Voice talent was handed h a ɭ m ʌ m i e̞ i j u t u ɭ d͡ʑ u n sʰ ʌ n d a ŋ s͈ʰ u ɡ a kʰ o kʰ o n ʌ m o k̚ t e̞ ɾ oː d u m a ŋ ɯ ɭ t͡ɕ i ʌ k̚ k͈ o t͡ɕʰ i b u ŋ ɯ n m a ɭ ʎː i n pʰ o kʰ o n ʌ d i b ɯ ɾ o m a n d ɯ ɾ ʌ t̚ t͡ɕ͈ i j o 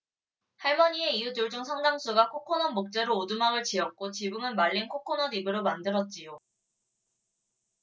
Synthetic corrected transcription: h a ɭ m ʌ ɲ i e̞ i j u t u ɭ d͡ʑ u ŋ sʰ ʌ ŋ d a ŋ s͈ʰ u ɡ a kʰ o kʰ o n ʌ m o k̚ t͡ɕ͈ e̞ ɾ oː d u m a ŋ ɯ ɭ t͡ɕ i ʌ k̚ k͈ o t͡ɕ i b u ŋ ɯ n m a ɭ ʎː i n kʰ o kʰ o n ʌ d i b ɯ ɾ o m a n d ɯ ɾ ʌ t̚ t͡ɕ͈ i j o